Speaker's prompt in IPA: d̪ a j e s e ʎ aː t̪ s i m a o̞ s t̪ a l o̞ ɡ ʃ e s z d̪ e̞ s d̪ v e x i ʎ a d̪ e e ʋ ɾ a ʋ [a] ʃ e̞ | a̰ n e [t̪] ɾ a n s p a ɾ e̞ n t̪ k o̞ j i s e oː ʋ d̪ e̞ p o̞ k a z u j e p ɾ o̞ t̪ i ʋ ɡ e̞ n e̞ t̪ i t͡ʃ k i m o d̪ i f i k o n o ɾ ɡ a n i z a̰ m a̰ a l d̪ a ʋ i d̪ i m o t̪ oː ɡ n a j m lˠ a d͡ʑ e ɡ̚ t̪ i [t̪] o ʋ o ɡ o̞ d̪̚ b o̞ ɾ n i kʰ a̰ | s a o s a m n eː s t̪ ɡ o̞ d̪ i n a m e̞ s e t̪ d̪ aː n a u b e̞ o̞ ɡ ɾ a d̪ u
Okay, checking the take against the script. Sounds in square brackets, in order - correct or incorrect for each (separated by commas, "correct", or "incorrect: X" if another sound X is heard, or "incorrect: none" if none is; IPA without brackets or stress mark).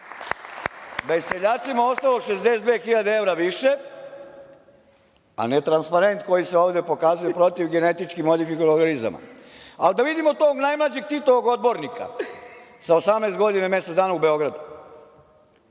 incorrect: i, correct, correct